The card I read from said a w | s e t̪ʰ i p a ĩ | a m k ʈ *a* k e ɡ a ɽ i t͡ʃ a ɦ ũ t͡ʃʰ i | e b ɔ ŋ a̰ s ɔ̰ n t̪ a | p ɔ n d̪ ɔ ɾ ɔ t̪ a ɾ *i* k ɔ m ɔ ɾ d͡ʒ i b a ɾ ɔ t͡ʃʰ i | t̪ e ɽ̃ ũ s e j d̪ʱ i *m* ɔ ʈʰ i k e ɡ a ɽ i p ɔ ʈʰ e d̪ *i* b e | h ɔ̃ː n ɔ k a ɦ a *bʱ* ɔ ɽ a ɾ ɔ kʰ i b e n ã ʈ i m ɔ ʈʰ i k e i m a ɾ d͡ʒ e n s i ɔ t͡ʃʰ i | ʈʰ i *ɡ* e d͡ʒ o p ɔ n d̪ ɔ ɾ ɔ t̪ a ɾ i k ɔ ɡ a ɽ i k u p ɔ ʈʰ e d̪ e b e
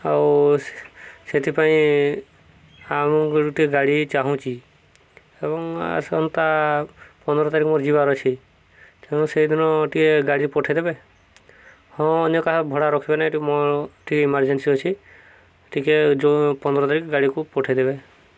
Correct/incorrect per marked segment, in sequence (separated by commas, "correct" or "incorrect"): incorrect, correct, incorrect, incorrect, correct, incorrect